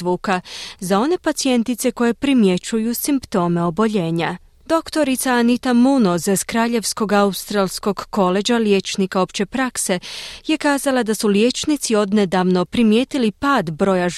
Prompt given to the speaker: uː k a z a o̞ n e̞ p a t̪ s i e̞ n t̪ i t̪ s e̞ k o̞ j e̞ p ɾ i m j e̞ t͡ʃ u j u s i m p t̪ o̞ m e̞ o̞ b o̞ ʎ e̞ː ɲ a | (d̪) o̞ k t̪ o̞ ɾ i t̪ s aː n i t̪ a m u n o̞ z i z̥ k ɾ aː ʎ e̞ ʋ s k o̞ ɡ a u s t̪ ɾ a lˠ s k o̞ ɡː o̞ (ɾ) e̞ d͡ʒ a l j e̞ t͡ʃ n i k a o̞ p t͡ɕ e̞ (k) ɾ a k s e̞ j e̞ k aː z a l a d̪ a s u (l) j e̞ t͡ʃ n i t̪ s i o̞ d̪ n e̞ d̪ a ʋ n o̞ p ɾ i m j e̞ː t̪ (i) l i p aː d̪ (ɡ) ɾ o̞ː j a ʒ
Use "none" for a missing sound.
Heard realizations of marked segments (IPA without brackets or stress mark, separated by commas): d̪, l, p, l, i, b